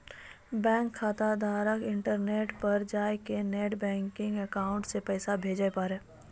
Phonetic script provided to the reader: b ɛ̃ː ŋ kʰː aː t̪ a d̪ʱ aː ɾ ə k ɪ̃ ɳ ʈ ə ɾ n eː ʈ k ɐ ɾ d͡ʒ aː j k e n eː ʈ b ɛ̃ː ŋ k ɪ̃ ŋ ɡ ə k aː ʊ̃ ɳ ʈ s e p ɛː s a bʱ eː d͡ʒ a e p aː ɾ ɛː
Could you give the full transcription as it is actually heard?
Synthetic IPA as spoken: b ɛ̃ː ŋ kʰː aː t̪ a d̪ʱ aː ɾ ə k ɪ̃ ɳ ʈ ə ɾ n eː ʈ p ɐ ɾ d͡ʒ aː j k e n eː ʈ b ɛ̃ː ŋ k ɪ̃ ŋ ɡ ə k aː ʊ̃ ɳ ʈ s e p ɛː s a bʱ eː d͡ʒ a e p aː ɾ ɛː